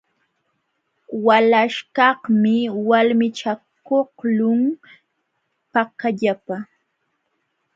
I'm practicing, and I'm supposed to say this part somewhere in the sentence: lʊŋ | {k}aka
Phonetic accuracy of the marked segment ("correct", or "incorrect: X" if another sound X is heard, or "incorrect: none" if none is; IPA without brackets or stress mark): incorrect: p